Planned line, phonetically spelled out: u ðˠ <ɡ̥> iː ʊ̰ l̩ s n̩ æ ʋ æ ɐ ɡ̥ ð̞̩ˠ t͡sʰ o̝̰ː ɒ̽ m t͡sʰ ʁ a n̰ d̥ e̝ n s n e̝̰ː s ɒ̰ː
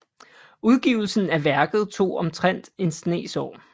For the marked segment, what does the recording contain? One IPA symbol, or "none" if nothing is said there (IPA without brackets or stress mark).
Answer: ɡ̥